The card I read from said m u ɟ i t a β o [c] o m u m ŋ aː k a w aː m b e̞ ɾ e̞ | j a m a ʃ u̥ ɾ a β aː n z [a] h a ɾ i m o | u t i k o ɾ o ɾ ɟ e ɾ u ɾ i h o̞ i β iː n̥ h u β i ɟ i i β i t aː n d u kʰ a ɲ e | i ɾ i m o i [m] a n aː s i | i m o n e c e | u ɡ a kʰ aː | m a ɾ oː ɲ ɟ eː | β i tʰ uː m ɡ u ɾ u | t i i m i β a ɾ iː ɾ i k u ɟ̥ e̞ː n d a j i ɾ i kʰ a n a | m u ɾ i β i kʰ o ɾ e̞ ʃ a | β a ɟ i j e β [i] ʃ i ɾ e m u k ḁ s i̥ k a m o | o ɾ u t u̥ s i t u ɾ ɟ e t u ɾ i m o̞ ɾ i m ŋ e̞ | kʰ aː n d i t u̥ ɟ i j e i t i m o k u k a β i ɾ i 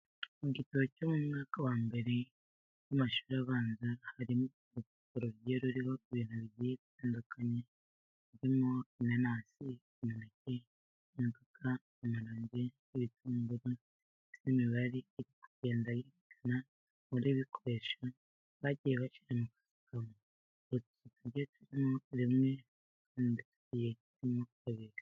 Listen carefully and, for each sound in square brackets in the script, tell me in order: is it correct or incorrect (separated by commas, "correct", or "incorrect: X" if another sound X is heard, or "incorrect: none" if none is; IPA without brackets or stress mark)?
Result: correct, correct, incorrect: n, incorrect: a